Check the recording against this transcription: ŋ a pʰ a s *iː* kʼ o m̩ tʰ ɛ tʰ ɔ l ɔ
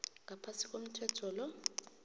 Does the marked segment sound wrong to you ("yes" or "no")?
yes